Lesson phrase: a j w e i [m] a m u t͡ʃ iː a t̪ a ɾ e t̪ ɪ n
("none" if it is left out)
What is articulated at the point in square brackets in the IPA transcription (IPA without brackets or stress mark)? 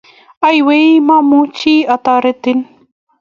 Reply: m